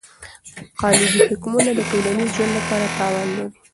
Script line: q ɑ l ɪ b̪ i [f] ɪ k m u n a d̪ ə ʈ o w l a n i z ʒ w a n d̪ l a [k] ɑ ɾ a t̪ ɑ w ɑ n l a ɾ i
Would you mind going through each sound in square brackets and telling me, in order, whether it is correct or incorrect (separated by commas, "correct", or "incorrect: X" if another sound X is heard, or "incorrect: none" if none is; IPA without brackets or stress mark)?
incorrect: h, incorrect: p